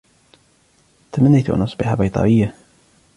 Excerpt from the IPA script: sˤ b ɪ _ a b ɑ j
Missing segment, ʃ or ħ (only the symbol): ħ